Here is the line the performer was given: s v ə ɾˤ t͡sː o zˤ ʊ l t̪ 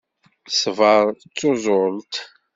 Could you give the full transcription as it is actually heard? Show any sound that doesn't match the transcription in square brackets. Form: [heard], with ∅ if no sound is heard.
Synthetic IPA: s v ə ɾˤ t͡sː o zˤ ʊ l t̪